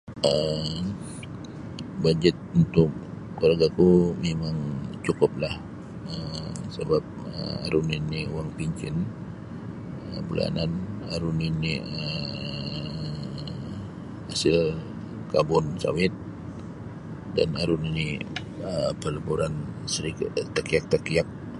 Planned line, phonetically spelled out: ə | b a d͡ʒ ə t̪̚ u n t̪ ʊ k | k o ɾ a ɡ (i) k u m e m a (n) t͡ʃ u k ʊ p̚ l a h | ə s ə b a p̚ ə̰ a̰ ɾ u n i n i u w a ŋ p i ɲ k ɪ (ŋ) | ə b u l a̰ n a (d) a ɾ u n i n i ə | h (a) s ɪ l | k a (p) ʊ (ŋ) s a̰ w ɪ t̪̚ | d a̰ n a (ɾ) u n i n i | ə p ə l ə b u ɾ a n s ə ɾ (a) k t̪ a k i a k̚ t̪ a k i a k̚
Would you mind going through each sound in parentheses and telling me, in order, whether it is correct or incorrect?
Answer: incorrect: a, incorrect: ŋ, incorrect: n, incorrect: n, correct, incorrect: b, incorrect: n, correct, incorrect: i

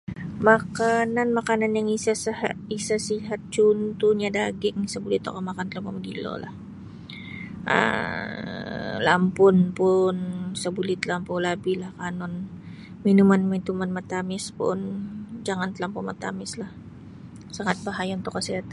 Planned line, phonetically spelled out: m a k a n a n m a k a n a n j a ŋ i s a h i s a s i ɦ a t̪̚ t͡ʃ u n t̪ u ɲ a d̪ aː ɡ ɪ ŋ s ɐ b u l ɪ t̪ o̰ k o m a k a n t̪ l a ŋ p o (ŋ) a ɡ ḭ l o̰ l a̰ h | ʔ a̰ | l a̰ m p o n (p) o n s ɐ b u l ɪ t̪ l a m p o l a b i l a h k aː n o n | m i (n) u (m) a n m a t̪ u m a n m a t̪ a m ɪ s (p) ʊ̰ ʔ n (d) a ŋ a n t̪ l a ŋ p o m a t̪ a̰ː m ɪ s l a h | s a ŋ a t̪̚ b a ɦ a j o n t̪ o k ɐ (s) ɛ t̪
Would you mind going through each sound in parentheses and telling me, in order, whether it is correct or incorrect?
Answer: incorrect: m, correct, correct, correct, correct, incorrect: d͡ʒ, correct

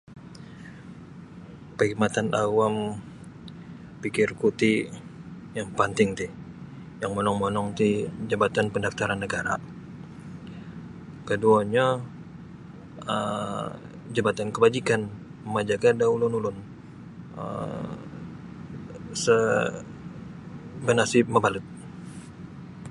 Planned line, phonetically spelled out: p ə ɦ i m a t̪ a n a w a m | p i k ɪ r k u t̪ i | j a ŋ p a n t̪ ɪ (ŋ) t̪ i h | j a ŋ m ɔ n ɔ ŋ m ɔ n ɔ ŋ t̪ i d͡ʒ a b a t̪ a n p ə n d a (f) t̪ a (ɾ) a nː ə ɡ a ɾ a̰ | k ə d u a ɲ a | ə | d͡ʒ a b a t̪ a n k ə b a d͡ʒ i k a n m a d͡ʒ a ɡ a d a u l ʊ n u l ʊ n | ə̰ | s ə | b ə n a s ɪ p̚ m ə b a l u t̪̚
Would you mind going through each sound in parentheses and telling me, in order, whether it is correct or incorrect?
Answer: correct, correct, correct

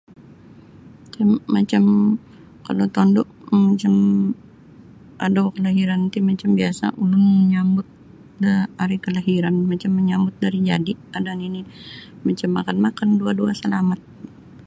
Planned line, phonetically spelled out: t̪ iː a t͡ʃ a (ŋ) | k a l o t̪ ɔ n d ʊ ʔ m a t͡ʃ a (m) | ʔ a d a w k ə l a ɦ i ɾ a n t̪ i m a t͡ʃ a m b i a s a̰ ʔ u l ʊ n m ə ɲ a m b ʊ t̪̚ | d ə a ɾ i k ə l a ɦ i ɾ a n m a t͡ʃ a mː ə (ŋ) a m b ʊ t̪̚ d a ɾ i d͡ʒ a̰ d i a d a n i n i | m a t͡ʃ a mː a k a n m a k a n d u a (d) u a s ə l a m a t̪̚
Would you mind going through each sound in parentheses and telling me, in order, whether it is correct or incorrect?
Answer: incorrect: m, correct, incorrect: ɲ, correct

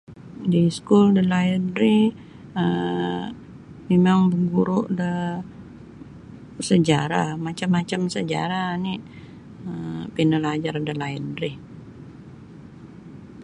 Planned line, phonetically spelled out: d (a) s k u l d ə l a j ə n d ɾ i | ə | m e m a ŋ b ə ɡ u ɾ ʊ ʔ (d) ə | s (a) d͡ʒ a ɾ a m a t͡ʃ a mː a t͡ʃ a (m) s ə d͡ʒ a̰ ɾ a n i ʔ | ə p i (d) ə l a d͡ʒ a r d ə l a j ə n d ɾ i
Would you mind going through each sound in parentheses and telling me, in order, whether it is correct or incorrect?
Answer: incorrect: i, correct, incorrect: ə, correct, incorrect: n

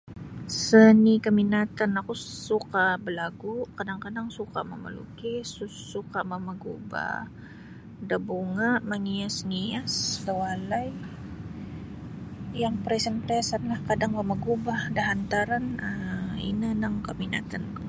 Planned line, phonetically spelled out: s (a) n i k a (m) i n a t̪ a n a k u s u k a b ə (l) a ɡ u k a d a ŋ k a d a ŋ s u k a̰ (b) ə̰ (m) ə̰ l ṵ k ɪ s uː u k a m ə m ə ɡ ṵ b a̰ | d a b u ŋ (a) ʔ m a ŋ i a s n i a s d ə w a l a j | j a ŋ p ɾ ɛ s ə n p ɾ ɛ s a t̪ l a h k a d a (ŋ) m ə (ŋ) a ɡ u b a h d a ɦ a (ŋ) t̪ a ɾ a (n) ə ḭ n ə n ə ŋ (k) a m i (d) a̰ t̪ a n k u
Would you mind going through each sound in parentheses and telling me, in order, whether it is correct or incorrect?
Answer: incorrect: ə, correct, correct, incorrect: m, correct, correct, correct, incorrect: m, incorrect: n, correct, correct, incorrect: n

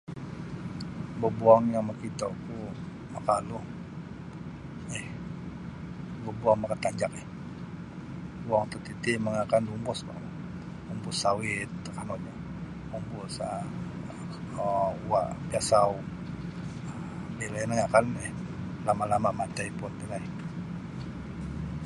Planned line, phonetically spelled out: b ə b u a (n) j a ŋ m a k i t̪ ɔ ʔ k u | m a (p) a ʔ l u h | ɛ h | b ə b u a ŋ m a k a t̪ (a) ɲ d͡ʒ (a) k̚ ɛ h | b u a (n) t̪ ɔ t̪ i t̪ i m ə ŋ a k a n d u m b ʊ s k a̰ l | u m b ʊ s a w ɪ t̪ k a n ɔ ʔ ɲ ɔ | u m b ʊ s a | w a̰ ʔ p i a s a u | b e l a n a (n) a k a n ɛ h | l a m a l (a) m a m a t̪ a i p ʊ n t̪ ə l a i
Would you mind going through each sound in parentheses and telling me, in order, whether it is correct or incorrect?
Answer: incorrect: ŋ, incorrect: k, correct, correct, incorrect: ŋ, incorrect: ŋ, correct

